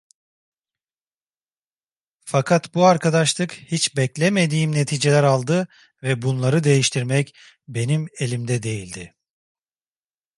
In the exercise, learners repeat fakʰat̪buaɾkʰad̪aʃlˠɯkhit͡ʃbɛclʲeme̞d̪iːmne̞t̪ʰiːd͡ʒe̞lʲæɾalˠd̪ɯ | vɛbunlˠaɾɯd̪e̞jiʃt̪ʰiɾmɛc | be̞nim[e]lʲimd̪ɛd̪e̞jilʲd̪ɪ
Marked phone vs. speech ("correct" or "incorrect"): correct